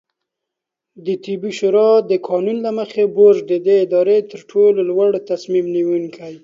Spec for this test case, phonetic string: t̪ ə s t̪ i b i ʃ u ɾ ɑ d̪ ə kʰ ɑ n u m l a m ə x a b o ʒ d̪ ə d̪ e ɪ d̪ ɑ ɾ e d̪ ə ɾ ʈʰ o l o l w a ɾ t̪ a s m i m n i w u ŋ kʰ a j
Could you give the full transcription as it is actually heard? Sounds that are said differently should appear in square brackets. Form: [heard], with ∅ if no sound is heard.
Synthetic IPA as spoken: [d̪] ə [∅] t̪ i b i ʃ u ɾ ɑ d̪ ə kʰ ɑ n u [n] l a m ə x [e] b o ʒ d̪ ə d̪ e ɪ d̪ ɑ ɾ e [t̪] ə ɾ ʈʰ o l o l w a [ɽ] t̪ a s m i m n i w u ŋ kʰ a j

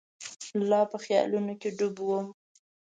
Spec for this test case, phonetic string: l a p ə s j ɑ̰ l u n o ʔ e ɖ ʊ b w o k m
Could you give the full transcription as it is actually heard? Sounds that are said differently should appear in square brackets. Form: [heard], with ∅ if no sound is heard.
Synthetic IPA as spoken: l [ɑ] p ə [x] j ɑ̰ l u n o [k] e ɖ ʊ b w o [∅] m

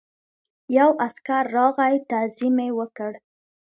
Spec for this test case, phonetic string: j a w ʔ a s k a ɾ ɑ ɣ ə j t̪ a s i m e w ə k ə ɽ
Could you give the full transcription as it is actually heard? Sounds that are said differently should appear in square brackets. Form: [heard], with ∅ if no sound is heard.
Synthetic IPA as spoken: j a w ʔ a s k a [ɾː] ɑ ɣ [a] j t̪ a [z] i m e w ə k ə ɽ

